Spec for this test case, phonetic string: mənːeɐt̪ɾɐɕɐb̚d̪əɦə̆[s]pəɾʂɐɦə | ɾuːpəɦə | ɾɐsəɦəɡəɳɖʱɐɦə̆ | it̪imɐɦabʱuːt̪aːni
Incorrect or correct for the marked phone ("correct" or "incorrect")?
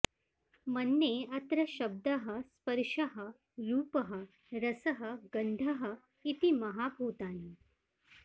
correct